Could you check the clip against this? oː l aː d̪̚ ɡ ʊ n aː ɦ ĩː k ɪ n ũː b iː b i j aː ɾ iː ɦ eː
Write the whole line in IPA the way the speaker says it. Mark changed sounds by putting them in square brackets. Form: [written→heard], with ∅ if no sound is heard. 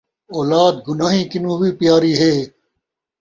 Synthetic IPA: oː l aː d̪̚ ɡ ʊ n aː ɦ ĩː k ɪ n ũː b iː [b→p] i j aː ɾ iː ɦ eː